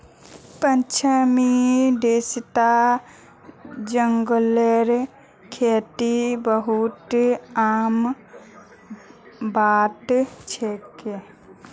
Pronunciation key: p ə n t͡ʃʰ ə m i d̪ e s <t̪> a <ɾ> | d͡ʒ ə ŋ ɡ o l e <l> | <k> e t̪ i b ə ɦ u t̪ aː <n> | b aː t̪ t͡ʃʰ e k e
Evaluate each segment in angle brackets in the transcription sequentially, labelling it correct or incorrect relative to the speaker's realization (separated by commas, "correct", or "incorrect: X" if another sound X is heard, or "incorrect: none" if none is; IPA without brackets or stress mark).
correct, incorrect: none, incorrect: ɾ, incorrect: kʰ, incorrect: m